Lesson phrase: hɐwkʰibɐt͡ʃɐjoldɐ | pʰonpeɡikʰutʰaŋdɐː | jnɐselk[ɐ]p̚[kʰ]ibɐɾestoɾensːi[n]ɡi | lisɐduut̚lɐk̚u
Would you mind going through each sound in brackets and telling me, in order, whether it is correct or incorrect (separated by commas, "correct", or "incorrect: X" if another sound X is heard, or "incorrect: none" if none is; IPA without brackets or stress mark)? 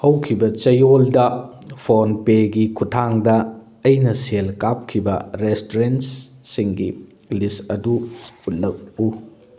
incorrect: a, correct, incorrect: ŋ